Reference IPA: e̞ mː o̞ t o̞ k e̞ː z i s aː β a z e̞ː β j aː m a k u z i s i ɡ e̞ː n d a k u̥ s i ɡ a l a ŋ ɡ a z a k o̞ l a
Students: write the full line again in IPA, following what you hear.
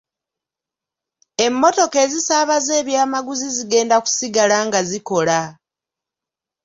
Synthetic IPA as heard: e̞ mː o̞ t o̞ k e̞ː z i s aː β a z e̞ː β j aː m a ɡ u z i z i ɡ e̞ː n d a k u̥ s i ɡ a l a ŋ ɡ a z i k o̞ l a